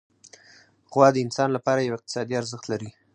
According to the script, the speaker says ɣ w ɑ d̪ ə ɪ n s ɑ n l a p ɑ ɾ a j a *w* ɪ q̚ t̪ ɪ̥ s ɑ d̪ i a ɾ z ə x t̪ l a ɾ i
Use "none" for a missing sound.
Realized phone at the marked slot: w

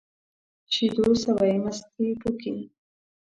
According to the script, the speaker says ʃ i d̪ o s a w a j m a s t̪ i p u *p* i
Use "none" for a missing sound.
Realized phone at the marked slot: k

